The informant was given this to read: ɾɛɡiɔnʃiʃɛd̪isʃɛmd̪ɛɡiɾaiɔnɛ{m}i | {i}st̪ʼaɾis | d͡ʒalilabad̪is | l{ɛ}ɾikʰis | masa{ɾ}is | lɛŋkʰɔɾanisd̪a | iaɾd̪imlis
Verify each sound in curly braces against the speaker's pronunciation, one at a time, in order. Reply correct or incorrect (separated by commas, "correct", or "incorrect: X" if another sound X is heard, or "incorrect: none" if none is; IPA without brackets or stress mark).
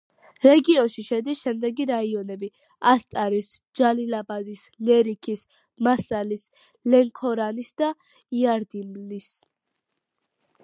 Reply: incorrect: b, incorrect: a, correct, incorrect: l